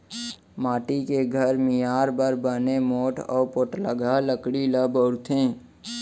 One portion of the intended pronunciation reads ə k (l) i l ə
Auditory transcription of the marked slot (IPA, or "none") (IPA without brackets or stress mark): ɽ